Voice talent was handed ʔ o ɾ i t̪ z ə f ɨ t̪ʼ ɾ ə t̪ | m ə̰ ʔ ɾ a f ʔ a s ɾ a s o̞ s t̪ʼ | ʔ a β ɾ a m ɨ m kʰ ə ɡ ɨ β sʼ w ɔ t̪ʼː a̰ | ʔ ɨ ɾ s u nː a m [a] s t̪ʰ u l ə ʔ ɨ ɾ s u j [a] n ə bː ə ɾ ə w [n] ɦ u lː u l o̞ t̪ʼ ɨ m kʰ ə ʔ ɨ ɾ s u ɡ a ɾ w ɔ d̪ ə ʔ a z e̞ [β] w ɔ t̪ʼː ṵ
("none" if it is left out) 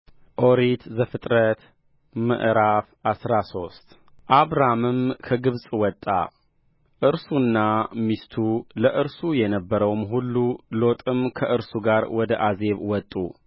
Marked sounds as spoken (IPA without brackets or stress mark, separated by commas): i, ɛ, m, β